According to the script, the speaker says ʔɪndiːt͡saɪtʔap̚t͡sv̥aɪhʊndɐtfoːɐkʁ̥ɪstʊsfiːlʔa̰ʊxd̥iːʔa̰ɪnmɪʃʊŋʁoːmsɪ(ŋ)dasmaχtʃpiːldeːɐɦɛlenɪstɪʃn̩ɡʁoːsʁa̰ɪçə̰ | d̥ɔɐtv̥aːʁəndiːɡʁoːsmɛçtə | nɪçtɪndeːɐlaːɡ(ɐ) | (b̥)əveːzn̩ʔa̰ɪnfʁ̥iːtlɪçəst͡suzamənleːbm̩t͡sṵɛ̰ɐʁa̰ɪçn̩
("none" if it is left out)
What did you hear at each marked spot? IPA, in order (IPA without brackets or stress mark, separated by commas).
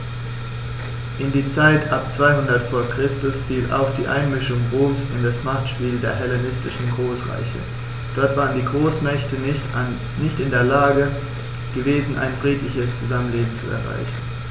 n, ə, ɡ̥